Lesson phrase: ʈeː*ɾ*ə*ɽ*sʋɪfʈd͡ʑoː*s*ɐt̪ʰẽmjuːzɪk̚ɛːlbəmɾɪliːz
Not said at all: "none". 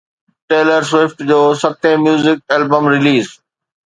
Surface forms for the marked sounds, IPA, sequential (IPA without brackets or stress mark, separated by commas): l, ɾ, s